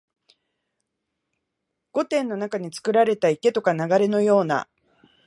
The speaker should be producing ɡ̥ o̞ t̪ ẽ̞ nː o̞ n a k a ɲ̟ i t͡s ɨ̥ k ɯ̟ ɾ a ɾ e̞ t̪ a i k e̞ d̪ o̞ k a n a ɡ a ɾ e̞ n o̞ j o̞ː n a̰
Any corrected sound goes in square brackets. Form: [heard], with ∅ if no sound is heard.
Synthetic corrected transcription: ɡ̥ o̞ t̪ ẽ̞ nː o̞ n a k a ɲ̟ i t͡s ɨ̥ k ɯ̟ ɾ a ɾ e̞ t̪ a i k e̞ [t̪] o̞ k a n a ɡ a ɾ e̞ n o̞ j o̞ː n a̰